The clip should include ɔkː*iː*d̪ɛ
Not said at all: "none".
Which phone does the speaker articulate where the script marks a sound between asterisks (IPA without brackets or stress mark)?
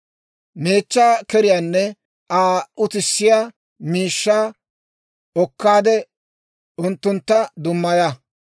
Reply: aː